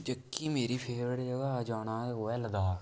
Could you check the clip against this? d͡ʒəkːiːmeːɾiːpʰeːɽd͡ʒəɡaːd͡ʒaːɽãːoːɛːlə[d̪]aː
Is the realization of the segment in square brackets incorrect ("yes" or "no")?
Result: no